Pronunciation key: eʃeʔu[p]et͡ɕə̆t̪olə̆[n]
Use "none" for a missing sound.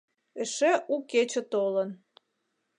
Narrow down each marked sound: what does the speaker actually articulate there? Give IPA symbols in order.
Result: k, n

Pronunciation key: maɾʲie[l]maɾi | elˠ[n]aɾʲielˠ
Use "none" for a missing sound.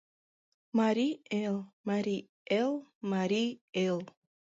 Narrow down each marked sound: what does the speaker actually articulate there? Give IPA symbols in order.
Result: l, m

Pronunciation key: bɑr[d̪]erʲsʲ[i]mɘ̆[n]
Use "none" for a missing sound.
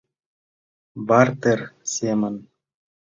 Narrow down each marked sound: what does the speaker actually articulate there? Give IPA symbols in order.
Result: t̪, e, n

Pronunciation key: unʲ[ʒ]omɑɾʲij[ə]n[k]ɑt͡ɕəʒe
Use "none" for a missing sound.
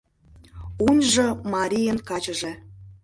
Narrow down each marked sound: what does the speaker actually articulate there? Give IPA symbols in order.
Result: ʒ, ə, k

